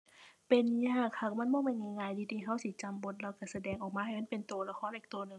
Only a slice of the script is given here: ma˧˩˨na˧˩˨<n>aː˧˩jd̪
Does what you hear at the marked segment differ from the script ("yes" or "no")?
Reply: yes